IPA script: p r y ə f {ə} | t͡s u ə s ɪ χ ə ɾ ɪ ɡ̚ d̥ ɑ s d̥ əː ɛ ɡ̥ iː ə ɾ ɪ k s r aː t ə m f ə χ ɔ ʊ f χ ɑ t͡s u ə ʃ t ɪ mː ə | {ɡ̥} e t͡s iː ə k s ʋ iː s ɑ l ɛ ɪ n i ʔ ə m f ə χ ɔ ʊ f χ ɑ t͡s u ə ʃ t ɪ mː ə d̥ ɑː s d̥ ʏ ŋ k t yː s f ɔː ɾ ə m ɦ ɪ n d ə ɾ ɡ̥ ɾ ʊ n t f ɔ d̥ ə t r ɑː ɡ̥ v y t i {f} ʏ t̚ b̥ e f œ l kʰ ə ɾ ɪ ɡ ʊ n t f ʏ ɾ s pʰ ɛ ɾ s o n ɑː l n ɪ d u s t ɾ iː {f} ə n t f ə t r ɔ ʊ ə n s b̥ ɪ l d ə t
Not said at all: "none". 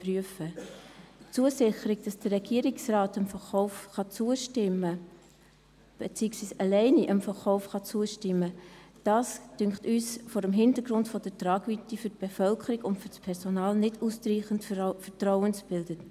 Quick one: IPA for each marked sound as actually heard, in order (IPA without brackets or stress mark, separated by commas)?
ə, b̥, f, χ